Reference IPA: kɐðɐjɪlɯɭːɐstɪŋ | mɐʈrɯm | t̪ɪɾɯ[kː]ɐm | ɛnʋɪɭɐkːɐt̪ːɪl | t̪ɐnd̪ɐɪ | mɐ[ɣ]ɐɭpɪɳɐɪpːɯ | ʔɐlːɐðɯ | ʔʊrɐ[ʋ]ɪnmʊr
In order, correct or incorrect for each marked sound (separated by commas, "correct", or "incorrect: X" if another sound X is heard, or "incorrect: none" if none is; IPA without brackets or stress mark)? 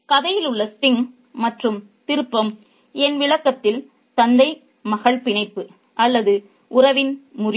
incorrect: pː, correct, correct